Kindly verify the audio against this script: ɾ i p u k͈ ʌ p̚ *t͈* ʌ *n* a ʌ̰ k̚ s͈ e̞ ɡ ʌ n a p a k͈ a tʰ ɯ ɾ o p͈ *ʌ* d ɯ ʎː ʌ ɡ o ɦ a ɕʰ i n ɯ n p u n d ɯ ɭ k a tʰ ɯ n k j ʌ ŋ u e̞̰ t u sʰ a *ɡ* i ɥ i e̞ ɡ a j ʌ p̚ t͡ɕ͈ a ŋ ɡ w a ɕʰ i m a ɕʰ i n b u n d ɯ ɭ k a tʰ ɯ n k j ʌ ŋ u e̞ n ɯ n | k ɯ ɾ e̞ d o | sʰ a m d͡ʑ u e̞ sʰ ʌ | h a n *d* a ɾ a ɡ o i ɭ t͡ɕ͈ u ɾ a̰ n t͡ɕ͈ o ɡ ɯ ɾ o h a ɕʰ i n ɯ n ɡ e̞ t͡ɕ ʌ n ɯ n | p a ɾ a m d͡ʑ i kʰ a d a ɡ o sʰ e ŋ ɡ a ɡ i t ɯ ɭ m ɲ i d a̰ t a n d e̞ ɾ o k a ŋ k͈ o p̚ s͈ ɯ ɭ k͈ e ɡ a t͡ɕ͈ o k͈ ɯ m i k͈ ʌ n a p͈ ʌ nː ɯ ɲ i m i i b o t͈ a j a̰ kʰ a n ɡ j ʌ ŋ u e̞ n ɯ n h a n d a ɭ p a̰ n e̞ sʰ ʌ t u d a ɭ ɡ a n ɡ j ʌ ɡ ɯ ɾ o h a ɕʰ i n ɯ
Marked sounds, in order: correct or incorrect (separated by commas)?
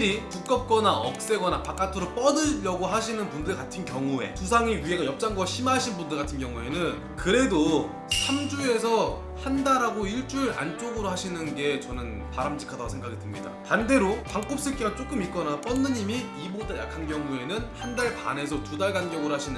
incorrect, correct, correct, incorrect, correct